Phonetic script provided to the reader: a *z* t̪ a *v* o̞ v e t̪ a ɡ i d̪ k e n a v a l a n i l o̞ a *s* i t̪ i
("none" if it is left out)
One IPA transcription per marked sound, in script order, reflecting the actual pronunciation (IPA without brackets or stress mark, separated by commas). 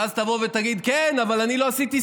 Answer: z, v, s